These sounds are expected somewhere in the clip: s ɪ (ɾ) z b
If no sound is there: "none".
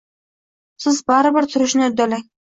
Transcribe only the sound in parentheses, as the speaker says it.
none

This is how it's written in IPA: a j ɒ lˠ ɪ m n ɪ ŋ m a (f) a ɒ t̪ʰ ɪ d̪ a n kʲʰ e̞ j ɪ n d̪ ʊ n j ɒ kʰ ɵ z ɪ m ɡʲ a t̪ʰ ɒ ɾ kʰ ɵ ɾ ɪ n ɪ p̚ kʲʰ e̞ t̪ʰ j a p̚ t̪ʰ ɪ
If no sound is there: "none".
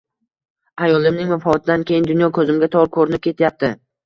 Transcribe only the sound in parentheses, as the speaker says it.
f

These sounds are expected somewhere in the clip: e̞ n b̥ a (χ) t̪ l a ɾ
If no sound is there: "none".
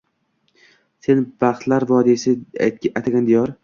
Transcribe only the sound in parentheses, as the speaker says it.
χ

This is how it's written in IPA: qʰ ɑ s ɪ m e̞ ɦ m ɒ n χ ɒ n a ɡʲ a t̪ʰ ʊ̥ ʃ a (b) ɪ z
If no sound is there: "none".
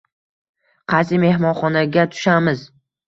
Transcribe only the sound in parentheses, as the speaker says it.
m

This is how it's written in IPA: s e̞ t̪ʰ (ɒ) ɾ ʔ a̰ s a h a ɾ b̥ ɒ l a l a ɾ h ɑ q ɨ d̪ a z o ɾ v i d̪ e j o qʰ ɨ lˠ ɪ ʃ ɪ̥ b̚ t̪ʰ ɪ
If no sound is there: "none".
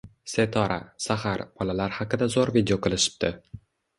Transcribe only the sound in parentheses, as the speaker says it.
ɒ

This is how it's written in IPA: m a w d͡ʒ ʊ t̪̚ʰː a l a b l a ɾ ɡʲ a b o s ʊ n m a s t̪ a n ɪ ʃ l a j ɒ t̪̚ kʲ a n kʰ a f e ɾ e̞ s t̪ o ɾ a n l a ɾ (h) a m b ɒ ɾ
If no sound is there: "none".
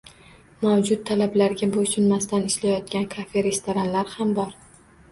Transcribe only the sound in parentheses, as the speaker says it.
h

